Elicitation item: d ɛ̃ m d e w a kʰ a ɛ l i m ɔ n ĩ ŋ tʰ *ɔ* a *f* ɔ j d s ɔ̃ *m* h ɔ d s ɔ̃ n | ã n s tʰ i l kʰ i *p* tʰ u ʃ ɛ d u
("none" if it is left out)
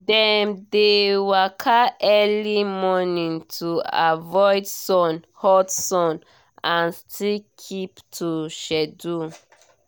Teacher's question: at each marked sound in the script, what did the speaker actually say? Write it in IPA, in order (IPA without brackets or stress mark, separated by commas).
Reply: u, v, n, p